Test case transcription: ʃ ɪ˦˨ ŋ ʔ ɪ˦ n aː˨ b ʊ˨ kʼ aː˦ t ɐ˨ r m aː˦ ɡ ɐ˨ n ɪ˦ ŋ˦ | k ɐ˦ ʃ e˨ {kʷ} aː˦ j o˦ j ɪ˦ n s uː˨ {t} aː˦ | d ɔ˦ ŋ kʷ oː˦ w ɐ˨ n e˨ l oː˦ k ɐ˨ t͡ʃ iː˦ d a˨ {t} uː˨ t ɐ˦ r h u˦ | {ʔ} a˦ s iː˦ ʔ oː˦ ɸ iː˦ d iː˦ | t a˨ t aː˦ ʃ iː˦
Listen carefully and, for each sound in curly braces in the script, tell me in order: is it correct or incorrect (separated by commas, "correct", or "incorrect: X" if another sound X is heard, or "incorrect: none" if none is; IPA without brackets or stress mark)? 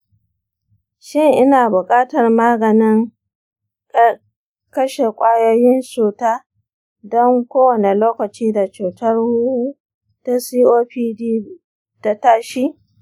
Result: incorrect: kʷʼ, correct, incorrect: t͡ʃ, incorrect: t